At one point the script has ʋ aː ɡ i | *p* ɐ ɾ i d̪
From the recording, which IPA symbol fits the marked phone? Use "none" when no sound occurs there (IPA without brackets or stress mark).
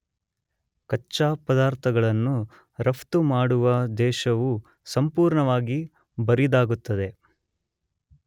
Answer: b